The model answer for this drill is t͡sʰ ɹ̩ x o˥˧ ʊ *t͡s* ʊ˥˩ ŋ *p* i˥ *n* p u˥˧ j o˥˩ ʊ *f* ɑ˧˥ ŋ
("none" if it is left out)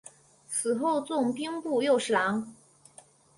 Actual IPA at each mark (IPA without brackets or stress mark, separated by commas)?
t͡s, p, ŋ, ʂ